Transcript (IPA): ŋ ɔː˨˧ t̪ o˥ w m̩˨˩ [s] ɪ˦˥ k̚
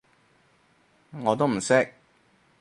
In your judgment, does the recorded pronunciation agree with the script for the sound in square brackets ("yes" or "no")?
yes